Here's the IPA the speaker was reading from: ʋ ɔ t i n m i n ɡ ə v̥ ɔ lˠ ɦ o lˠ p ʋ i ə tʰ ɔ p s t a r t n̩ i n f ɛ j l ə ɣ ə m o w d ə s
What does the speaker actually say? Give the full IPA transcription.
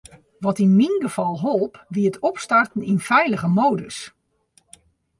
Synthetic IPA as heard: ʋ ɔ t i n m i n ɡ ə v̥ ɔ lˠ ɦ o lˠ p ʋ i ə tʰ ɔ p s t a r t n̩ i n f ɛ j l ə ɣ ə m o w d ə s